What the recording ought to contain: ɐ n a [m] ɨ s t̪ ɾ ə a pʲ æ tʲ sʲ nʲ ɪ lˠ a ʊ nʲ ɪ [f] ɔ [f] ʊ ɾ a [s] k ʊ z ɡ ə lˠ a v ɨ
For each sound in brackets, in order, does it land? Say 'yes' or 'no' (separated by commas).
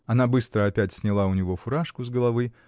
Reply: no, no, yes, no